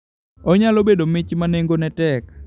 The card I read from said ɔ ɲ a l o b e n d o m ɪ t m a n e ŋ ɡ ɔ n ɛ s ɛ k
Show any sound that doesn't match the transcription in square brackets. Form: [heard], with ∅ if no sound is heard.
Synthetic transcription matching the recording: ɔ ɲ a l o b e [∅] d o m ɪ [t͡ʃ] m a n e ŋ ɡ [o] n ɛ [t] ɛ k